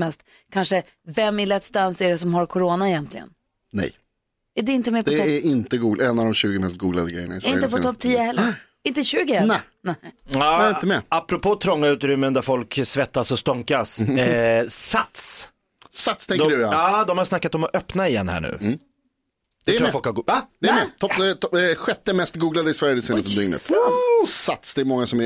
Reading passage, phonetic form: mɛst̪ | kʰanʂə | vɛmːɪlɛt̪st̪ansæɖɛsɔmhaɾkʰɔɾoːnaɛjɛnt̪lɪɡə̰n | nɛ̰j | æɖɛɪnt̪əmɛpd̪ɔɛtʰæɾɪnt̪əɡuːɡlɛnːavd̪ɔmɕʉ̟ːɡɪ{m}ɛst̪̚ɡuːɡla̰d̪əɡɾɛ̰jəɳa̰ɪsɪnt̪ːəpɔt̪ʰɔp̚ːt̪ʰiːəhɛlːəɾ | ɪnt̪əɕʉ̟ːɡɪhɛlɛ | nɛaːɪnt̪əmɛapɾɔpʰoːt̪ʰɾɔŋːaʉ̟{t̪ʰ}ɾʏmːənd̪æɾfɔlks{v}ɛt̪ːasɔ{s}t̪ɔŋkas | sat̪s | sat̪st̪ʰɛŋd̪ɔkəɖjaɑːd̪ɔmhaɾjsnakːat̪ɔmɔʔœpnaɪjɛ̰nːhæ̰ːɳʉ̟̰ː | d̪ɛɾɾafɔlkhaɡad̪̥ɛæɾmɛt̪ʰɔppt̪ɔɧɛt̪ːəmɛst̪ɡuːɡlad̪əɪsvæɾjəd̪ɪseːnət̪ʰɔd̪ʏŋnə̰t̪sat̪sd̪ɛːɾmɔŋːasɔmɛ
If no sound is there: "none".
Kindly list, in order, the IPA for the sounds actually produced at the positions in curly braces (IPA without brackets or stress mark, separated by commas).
m, t̪, v, s